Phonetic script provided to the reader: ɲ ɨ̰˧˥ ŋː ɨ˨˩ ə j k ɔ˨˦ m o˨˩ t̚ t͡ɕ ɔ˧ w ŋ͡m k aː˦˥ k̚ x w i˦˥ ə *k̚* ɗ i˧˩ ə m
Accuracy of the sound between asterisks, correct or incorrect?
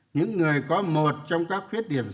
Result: incorrect